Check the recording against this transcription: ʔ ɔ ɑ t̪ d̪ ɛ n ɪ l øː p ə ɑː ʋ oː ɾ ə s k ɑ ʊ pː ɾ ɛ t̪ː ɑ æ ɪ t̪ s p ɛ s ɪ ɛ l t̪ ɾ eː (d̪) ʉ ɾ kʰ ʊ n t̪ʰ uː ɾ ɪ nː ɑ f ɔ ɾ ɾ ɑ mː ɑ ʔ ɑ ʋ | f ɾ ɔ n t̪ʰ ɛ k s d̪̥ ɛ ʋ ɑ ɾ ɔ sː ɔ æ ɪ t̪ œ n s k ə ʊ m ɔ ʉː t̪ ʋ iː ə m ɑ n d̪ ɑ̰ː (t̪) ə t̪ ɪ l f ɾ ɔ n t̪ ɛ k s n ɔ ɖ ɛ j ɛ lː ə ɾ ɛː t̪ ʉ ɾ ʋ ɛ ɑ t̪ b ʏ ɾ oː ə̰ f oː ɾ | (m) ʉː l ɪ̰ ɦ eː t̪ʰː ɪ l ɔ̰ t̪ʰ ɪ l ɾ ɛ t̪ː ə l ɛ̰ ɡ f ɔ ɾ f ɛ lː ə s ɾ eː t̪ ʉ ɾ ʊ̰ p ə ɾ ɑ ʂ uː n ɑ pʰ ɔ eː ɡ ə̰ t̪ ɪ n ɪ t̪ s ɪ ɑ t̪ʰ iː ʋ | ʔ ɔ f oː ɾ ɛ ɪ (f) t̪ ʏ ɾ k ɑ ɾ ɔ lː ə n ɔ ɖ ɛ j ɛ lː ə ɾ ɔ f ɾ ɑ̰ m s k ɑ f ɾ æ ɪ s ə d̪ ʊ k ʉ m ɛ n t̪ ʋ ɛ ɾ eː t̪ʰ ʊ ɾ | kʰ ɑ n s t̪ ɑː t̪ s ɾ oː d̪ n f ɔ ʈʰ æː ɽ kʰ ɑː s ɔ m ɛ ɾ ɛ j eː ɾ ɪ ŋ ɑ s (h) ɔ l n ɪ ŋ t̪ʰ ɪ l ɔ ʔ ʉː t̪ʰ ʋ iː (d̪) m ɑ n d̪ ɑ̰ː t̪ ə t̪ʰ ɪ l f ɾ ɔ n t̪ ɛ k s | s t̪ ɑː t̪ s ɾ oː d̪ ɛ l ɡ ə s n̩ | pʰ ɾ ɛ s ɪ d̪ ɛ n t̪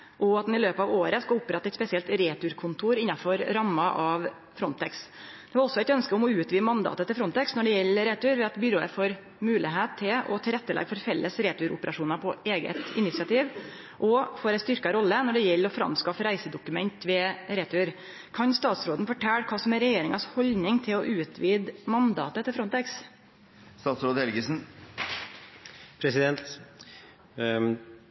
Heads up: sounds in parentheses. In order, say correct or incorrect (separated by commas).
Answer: incorrect, correct, correct, incorrect, correct, correct